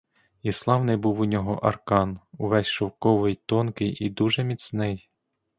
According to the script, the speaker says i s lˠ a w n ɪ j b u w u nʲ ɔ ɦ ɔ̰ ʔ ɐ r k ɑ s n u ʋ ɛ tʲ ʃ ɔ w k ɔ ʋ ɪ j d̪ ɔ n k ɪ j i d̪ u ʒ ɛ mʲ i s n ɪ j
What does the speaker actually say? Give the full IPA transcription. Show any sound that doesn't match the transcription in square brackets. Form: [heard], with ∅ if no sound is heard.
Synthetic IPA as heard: i s lˠ [ɑ] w n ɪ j b u w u nʲ ɔ ɦ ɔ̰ ʔ ɐ r k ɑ [∅] n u ʋ ɛ [sʲ] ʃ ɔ w k ɔ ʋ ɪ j [t̪] ɔ n k ɪ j i d̪ u ʒ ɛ mʲ i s n ɪ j

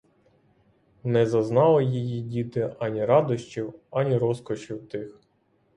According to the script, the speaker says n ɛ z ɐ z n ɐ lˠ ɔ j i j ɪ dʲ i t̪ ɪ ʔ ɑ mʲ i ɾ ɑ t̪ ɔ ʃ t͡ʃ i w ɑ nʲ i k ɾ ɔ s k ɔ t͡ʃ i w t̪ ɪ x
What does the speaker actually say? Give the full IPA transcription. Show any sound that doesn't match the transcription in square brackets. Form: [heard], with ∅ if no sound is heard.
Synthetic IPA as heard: n ɛ z ɐ z n [ɑ] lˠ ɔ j i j [i] dʲ i t̪ ɪ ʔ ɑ [nʲ] i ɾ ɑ [d̪] ɔ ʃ t͡ʃ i w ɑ nʲ i [∅] ɾ ɔ s k ɔ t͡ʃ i w t̪ ɪ x

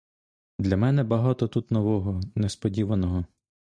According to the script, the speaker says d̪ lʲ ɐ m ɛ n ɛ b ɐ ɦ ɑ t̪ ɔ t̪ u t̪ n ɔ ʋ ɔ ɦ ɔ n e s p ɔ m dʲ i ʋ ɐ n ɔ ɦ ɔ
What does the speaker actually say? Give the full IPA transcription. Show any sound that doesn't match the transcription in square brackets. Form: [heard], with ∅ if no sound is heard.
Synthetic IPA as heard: d̪ lʲ ɐ m ɛ n ɛ b ɐ ɦ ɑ t̪ ɔ t̪ u t̪ n ɔ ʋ ɔ ɦ ɔ n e s p ɔ [∅] dʲ i ʋ ɐ n ɔ ɦ ɔ

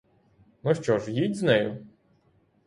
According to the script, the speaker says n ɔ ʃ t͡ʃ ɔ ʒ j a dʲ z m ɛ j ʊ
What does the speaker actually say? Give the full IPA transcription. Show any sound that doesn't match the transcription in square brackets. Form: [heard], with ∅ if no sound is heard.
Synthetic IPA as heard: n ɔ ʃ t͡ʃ ɔ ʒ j [i] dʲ z [n] ɛ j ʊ

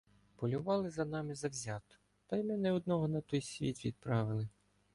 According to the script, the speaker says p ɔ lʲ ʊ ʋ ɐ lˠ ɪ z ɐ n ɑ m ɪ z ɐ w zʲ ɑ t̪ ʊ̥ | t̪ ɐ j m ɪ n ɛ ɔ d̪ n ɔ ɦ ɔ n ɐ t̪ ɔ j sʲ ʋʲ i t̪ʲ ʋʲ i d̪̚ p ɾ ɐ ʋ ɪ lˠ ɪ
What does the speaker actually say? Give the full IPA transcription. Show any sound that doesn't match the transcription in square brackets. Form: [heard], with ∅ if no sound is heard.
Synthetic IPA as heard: p ɔ lʲ ʊ ʋ [ɑ] lˠ ɪ z ɐ n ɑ m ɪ z ɐ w zʲ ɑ t̪ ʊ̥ | t̪ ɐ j m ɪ n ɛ ɔ d̪ n ɔ ɦ ɔ n ɐ t̪ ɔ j sʲ ʋʲ i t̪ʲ ʋʲ i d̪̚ p ɾ [ɑ] ʋ ɪ lˠ ɪ

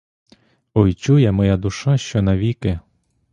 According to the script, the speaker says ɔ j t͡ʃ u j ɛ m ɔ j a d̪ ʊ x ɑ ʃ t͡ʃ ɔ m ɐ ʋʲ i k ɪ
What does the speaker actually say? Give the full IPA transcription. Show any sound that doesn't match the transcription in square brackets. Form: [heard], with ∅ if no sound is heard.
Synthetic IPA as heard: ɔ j t͡ʃ u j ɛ m ɔ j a d̪ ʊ [ʃ] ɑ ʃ t͡ʃ ɔ [n] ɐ ʋʲ i k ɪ

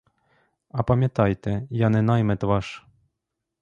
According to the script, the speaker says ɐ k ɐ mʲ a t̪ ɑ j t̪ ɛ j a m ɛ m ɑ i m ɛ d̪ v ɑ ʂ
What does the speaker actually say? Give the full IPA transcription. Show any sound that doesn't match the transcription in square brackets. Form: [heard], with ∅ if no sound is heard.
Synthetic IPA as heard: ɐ [p] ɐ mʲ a t̪ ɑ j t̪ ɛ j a [n] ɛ [n] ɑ [j] m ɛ [t̪] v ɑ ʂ

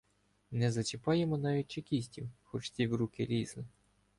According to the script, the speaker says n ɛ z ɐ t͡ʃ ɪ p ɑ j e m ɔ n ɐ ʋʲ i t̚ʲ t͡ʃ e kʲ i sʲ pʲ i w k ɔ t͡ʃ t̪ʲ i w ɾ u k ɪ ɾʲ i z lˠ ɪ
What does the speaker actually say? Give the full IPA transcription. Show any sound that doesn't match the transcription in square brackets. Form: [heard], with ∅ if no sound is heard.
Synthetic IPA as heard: n ɛ z ɐ t͡ʃ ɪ p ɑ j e m ɔ n [ɑ] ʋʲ i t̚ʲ t͡ʃ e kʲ i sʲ [tʲ] i w [x] ɔ t͡ʃ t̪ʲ i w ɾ u k ɪ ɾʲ i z lˠ ɪ

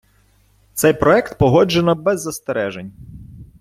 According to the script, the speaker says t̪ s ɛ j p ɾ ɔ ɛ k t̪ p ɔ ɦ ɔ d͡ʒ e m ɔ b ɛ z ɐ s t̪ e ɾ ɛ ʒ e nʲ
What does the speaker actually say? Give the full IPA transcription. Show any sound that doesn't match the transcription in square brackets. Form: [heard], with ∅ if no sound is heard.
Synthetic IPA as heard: t̪ s ɛ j p ɾ ɔ ɛ k t̪ p ɔ ɦ ɔ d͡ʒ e [n] ɔ b ɛ [zː] ɐ s t̪ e ɾ ɛ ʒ e nʲ

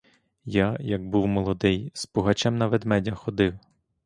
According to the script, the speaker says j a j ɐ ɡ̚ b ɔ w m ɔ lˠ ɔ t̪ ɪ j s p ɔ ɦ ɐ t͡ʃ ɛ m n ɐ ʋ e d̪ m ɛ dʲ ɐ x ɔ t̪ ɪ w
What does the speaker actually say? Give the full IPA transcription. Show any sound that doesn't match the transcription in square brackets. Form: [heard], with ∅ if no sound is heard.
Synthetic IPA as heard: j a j ɐ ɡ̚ b [u] w m ɔ lˠ ɔ [d̪] ɪ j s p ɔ ɦ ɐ t͡ʃ ɛ m n ɐ ʋ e d̪ m ɛ dʲ ɐ x ɔ [d̪] ɪ w

